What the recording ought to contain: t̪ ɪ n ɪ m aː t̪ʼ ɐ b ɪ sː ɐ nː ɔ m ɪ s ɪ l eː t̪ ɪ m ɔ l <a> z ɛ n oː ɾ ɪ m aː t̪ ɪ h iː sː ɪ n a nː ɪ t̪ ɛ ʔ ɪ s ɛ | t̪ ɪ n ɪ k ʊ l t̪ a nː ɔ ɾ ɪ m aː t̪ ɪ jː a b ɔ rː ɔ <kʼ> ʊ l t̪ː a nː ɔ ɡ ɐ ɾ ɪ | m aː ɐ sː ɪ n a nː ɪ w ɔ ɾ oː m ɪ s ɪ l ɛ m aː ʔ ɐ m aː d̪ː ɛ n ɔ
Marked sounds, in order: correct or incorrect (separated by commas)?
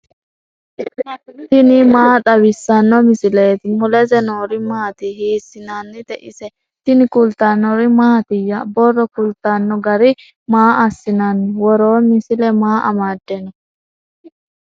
incorrect, incorrect